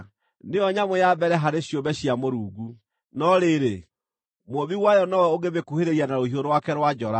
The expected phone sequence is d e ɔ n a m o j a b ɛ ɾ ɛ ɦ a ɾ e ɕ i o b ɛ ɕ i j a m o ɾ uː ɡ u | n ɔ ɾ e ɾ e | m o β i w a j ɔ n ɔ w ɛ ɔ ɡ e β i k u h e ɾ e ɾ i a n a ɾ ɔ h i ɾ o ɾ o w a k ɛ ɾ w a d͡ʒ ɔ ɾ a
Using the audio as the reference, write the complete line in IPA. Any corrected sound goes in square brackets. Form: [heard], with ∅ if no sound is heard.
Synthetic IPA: [n] e ɔ [ɲ] a m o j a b ɛ ɾ ɛ ɦ a ɾ e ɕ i o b ɛ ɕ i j a m o ɾ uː ɡ u | n ɔ ɾ e ɾ e | m o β i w a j ɔ n ɔ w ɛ [o] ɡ e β [e] k u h e ɾ e ɾ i a n a ɾ [o] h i [∅] o ɾ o w a k ɛ ɾ w a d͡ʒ ɔ ɾ a